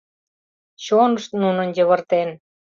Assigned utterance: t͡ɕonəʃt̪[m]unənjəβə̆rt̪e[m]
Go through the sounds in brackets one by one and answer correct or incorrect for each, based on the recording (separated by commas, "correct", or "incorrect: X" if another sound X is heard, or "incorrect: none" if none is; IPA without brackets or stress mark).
incorrect: n, incorrect: n